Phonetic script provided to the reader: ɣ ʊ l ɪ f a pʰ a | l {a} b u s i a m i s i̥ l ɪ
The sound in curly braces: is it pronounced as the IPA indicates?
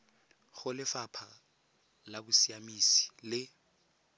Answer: yes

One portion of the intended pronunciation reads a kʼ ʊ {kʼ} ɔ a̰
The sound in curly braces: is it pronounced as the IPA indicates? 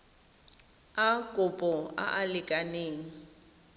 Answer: no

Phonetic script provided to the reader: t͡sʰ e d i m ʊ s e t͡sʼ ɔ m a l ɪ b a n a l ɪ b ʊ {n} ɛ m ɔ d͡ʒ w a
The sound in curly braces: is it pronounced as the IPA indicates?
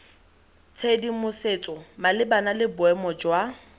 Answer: no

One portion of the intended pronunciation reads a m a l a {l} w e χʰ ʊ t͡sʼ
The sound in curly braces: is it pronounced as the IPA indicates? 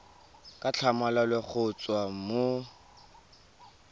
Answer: yes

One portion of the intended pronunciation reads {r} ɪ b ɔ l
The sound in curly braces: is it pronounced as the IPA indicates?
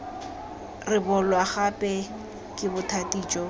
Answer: yes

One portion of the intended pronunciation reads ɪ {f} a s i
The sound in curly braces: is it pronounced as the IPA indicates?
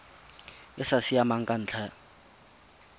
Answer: no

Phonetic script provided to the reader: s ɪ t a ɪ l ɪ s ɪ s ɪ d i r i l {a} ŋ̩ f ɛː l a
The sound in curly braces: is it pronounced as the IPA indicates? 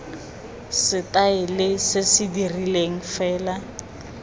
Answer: no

